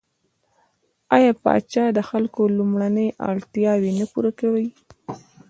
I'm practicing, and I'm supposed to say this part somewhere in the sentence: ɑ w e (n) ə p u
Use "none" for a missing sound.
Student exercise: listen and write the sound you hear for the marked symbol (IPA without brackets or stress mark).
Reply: n